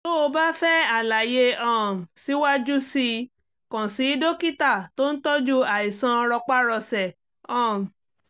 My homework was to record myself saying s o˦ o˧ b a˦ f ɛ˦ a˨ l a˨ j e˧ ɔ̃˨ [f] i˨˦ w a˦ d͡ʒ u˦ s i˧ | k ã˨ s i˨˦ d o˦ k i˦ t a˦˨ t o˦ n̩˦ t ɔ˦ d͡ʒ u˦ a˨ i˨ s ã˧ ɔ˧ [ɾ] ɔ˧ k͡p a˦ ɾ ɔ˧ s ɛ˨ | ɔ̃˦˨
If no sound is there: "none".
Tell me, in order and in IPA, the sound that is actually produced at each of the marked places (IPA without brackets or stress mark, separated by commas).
s, ɾ